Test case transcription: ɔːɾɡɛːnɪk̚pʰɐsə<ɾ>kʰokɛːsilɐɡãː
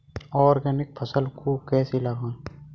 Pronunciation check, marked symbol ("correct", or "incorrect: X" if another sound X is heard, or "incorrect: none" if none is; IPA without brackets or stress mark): incorrect: l